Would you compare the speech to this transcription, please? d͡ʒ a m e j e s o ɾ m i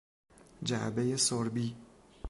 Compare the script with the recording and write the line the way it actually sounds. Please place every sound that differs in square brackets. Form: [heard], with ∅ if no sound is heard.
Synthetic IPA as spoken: d͡ʒ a [b] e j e s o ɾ [b] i

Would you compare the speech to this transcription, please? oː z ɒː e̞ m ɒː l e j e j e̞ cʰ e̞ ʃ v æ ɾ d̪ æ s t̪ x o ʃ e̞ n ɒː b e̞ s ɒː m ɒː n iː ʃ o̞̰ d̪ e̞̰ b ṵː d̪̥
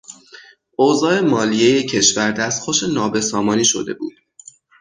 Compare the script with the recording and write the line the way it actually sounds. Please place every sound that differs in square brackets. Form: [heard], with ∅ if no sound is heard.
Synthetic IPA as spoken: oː z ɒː e̞ m ɒː l [i] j e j e̞ cʰ e̞ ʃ v æ ɾ d̪ æ s t̪ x o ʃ e̞ n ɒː b e̞ s ɒː m ɒː n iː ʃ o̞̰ d̪ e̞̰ b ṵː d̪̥

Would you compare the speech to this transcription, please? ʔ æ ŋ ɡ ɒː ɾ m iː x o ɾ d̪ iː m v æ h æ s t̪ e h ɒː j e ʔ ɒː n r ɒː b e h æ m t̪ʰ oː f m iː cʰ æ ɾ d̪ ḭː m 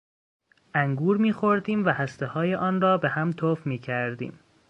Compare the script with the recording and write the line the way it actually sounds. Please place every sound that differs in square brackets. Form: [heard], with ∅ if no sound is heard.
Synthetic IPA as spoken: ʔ æ ŋ ɡ [uː] ɾ m iː x o ɾ d̪ iː m v æ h æ s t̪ e h ɒː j e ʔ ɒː n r ɒː b e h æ m t̪ʰ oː f m iː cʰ æ ɾ d̪ ḭː m

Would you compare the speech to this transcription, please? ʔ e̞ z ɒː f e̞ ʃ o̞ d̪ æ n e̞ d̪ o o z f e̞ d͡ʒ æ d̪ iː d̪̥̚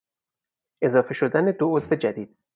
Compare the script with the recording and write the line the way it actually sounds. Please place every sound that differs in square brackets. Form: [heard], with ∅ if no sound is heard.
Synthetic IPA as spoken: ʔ e̞ z ɒː f e̞ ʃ o̞ d̪ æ n e̞ d̪ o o z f e̞ d͡ʒ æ d̪ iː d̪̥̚

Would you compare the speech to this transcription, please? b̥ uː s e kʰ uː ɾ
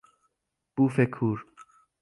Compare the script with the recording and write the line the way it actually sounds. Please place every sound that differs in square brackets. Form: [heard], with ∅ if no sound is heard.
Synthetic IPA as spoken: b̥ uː [f] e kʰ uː ɾ

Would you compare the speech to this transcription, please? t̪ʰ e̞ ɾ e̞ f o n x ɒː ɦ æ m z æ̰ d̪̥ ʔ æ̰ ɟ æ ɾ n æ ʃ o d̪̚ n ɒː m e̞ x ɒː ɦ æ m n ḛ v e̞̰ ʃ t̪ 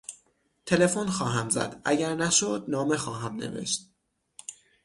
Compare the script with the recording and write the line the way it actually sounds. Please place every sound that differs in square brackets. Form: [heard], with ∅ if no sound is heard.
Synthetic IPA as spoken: t̪ʰ e̞ [l] e̞ f o n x ɒː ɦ æ m z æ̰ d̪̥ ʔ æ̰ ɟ æ ɾ n æ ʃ o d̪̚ n ɒː m e̞ x ɒː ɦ æ m n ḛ v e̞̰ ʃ t̪

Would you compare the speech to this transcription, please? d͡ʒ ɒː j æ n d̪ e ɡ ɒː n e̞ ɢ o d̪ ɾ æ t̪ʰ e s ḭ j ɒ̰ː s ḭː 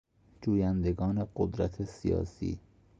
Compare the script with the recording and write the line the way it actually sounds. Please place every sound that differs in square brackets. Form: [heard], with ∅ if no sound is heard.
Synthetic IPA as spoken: d͡ʒ [uː] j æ n d̪ e ɡ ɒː n e̞ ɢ o d̪ ɾ æ t̪ʰ e s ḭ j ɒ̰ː s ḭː

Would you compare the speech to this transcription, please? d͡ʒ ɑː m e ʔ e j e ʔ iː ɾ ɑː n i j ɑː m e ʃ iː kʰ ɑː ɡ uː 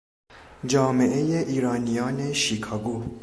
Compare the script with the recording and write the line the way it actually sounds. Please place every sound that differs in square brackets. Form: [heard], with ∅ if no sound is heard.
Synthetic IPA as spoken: d͡ʒ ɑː m e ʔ e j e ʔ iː ɾ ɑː n i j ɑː [n] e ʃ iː kʰ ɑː ɡ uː

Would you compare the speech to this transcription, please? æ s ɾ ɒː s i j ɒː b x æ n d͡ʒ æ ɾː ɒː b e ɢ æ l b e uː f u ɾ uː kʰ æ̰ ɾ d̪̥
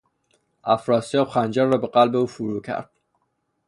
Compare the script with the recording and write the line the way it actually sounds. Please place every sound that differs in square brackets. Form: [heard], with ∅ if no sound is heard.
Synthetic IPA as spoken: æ [f] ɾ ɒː s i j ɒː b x æ n d͡ʒ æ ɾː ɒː b e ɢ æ l b e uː f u ɾ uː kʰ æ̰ ɾ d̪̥

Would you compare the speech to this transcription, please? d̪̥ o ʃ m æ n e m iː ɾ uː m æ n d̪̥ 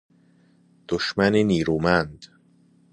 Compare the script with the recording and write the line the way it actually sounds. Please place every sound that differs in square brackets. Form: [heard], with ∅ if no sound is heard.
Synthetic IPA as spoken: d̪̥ o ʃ m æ n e [n] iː ɾ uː m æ n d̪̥

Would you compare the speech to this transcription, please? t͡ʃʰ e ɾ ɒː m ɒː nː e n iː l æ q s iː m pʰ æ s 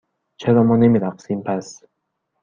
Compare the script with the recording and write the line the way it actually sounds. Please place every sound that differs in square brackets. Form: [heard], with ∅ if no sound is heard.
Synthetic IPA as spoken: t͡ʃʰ e ɾ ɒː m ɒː [n] e [m] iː [ɾ] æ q s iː m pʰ æ s

